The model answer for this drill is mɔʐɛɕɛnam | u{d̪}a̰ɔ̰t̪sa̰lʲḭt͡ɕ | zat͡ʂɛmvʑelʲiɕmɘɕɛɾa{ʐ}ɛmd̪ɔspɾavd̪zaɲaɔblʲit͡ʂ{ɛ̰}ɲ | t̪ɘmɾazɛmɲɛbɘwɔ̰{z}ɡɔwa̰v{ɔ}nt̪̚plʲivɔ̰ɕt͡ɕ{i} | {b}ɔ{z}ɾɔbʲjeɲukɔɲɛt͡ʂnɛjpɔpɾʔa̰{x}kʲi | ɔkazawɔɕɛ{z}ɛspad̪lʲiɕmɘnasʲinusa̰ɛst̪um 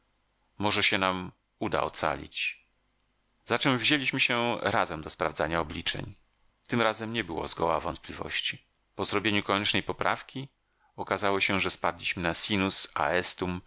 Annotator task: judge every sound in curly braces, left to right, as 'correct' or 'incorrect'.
correct, incorrect: z, correct, correct, correct, correct, incorrect: p, correct, incorrect: f, incorrect: ʐ

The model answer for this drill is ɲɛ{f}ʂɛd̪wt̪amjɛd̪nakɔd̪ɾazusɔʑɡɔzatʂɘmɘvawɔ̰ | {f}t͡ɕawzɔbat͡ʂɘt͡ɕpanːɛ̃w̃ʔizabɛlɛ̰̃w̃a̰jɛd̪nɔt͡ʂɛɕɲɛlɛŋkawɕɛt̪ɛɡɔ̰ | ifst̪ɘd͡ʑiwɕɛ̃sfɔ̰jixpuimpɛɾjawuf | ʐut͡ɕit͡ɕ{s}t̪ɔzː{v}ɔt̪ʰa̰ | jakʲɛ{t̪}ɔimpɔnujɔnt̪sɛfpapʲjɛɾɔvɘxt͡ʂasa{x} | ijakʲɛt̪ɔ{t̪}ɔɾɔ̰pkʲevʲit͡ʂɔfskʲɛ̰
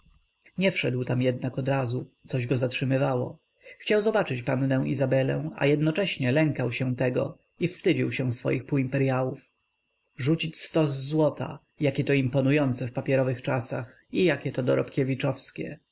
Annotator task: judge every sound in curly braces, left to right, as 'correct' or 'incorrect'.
correct, incorrect: x, correct, incorrect: w, correct, correct, incorrect: d̪

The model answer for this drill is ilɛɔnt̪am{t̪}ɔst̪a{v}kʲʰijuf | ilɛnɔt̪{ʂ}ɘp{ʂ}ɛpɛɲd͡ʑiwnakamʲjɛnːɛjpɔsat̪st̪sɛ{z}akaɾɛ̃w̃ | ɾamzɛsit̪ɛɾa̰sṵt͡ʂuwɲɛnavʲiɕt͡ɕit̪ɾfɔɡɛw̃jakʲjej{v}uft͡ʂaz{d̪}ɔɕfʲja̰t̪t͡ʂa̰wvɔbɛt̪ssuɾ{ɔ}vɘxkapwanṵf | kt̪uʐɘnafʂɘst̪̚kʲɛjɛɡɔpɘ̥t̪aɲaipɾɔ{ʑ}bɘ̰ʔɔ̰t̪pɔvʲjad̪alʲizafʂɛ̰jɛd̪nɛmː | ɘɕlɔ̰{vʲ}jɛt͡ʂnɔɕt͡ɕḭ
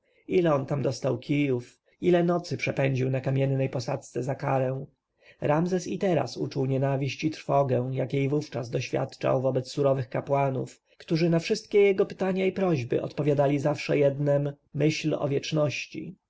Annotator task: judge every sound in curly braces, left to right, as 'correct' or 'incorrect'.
incorrect: d̪, incorrect: w, incorrect: s, correct, correct, correct, correct, correct, correct, correct

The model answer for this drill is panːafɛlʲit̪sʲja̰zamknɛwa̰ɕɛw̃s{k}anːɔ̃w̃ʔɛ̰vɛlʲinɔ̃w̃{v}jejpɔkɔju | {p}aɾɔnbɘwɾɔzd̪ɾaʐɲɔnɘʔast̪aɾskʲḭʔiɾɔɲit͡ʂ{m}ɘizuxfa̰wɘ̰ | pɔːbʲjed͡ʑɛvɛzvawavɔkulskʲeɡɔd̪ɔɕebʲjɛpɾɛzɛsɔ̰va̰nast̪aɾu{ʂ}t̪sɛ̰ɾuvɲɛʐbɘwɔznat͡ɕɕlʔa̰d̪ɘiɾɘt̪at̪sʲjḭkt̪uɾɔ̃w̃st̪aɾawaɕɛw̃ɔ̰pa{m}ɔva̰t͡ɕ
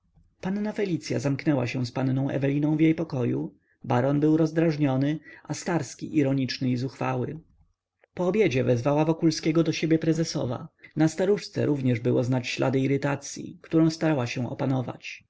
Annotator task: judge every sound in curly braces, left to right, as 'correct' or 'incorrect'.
incorrect: p, correct, incorrect: b, incorrect: n, correct, incorrect: n

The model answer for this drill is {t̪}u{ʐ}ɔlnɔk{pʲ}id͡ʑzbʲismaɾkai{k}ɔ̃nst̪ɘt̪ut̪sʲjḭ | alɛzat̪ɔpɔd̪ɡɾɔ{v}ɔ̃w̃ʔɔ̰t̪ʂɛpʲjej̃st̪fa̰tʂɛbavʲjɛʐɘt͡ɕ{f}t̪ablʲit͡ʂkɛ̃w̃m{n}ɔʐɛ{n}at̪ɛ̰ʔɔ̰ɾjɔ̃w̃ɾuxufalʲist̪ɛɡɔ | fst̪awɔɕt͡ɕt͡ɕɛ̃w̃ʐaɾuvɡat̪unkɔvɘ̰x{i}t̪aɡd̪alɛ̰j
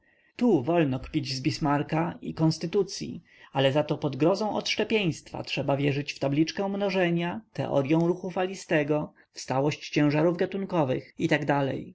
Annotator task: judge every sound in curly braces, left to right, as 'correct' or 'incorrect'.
correct, incorrect: v, correct, correct, incorrect: z, correct, correct, incorrect: ɲ, correct

